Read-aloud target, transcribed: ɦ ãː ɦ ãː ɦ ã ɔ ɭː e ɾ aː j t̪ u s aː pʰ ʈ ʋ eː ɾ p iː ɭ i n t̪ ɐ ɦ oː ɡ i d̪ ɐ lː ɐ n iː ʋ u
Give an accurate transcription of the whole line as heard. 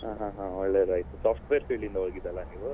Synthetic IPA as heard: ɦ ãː ɦ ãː ɦ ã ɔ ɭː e ɾ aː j t̪ u s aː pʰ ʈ ʋ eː ɾ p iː ɭ i n d̪ ɐ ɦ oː ɡ i d̪ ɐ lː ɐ n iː ʋ u